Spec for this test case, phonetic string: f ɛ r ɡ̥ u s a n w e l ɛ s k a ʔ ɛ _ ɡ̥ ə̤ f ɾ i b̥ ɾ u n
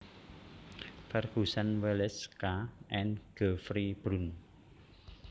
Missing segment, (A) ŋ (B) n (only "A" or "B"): B